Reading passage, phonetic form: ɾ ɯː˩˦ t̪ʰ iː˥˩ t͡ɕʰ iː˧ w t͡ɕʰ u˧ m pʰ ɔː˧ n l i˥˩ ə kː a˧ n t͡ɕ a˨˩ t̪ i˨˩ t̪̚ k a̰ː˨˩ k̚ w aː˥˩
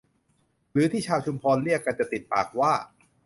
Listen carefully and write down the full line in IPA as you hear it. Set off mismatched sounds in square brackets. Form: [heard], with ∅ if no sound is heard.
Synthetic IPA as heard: ɾ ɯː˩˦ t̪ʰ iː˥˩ t͡ɕʰ [aː˧] w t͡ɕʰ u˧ m pʰ ɔː˧ n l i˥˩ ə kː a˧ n t͡ɕ a˨˩ t̪ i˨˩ t̪̚ [p] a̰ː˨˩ k̚ w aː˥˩